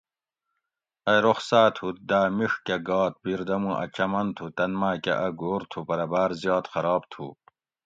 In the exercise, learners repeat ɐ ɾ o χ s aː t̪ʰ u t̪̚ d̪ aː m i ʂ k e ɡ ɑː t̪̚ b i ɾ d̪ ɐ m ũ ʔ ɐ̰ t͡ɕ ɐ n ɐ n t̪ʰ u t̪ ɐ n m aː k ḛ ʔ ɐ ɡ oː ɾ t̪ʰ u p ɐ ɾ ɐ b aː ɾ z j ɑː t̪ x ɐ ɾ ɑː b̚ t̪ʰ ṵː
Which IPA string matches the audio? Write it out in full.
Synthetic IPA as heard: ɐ ɾ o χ s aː t̪ʰ u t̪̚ d̪ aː m i ʂ k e ɡ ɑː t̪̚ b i ɾ d̪ ɐ m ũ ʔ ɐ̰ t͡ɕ ɐ m ɐ n t̪ʰ u t̪ ɐ n m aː k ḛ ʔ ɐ ɡ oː ɾ t̪ʰ u p ɐ ɾ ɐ b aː ɾ z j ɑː t̪ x ɐ ɾ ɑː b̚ t̪ʰ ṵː